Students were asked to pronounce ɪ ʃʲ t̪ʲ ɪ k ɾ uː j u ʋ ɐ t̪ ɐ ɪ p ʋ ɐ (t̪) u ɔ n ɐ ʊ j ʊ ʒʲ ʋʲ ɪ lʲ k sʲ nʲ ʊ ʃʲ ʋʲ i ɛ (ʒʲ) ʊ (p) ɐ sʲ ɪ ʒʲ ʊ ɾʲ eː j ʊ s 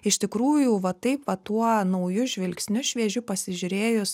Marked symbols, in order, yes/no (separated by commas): yes, yes, yes